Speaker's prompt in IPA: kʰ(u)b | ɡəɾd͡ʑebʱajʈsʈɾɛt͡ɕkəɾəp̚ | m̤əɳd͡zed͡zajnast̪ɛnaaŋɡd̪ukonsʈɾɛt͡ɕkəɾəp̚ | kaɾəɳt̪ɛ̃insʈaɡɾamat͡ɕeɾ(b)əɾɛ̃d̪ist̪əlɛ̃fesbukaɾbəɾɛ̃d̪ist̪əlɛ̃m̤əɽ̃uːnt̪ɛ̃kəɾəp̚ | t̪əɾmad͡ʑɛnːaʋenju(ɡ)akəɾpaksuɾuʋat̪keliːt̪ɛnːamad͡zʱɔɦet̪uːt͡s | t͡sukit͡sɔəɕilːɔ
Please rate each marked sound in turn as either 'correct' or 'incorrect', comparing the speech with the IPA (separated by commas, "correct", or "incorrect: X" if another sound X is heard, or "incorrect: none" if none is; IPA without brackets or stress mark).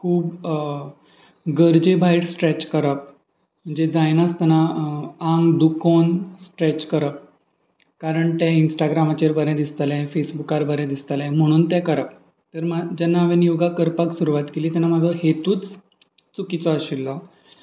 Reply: incorrect: uː, correct, correct